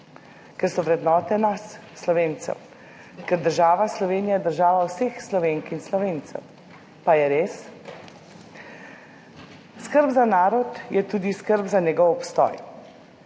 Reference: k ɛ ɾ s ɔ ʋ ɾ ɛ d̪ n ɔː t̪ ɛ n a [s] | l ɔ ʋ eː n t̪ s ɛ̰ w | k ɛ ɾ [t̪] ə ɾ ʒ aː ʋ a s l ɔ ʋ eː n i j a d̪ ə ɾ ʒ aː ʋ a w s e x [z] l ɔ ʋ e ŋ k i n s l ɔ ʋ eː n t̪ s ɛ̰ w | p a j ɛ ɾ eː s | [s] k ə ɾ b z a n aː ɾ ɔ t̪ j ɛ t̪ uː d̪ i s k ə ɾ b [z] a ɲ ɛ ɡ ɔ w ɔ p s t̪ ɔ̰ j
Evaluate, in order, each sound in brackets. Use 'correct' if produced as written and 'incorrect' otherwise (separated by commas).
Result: incorrect, incorrect, incorrect, correct, correct